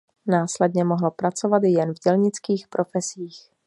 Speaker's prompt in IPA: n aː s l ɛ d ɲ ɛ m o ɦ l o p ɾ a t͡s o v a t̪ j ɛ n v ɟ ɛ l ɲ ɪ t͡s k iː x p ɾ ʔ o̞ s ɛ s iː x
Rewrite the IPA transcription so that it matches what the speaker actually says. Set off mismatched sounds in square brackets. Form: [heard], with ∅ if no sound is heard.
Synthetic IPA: n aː s l ɛ d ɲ ɛ m o ɦ l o p ɾ a t͡s o v a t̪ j ɛ n v ɟ ɛ l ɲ ɪ t͡s k iː x p ɾ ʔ o̞ [f] ɛ s iː x